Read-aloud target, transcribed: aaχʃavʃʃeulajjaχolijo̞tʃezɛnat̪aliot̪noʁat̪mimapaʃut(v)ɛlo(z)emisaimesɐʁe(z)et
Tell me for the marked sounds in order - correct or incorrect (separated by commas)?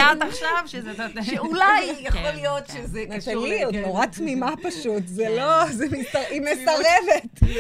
incorrect, correct, incorrect